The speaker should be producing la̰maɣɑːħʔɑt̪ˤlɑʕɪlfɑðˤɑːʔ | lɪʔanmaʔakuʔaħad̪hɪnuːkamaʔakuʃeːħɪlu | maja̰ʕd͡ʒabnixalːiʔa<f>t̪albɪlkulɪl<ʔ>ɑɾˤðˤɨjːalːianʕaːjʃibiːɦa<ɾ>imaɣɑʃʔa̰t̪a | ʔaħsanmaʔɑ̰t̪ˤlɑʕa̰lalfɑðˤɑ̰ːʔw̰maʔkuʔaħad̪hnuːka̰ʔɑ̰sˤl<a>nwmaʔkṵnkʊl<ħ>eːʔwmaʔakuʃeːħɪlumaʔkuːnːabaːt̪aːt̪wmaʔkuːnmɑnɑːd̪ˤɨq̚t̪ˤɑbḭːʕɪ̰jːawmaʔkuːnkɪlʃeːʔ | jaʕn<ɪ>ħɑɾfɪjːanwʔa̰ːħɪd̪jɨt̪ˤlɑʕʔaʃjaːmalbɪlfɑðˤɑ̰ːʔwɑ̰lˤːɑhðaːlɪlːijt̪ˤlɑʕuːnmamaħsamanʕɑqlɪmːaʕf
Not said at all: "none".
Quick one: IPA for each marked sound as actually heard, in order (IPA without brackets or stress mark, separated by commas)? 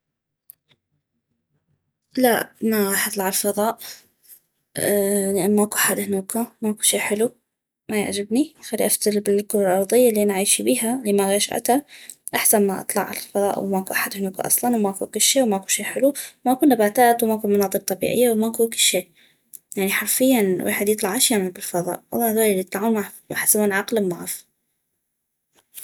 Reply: f, ʔ, l, ɑ, ʃ, i